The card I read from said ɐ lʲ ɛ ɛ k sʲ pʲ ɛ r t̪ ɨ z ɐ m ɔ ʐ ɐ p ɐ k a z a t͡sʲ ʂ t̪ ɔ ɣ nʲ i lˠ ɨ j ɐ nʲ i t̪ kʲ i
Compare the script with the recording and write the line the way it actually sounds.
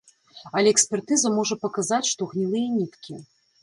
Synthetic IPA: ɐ lʲ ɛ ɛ k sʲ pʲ ɛ r t̪ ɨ z ɐ m ɔ ʐ ɐ p ɐ k a z a t͡sʲ ʂ t̪ ɔ ɣ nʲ i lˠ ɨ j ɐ nʲ i t̪ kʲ i